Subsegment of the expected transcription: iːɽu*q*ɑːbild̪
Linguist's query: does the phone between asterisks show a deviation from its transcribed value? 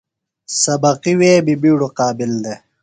no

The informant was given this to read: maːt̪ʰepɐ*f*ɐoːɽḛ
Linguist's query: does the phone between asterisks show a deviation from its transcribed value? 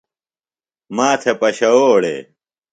yes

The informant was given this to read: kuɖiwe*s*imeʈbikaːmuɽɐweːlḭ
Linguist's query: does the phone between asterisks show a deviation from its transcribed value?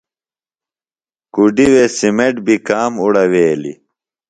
no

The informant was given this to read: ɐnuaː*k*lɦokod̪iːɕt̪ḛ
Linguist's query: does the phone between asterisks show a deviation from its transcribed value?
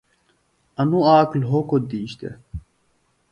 no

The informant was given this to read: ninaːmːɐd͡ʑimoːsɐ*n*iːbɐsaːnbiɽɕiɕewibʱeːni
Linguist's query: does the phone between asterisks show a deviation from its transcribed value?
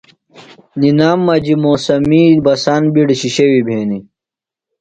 yes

